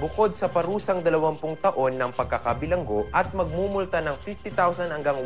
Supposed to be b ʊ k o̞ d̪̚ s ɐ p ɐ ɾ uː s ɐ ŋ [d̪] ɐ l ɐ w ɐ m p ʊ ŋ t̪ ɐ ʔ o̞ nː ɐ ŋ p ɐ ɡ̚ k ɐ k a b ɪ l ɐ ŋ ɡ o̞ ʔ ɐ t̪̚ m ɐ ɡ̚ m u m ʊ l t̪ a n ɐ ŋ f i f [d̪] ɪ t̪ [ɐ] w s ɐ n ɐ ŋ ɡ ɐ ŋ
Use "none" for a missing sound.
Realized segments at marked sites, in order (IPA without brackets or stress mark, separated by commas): d̪, t̪, a